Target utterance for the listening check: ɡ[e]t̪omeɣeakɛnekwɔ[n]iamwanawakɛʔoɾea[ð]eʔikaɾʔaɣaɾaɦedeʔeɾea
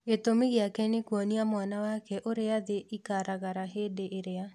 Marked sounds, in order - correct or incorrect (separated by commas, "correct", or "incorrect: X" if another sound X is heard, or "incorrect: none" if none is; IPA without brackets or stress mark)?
correct, correct, correct